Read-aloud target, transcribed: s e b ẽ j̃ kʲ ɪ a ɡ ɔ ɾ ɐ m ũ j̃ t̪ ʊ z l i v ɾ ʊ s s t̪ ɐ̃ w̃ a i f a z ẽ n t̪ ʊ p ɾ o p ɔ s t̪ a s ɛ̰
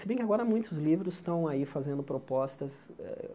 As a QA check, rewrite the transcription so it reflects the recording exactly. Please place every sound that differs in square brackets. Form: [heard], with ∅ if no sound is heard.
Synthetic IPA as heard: s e b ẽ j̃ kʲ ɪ a ɡ ɔ ɾ ɐ m ũ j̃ t̪ ʊ z l i v ɾ ʊ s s t̪ ɐ̃ w̃ a i f a z ẽ n [d̪] ʊ p ɾ o p ɔ s t̪ [ɐ] s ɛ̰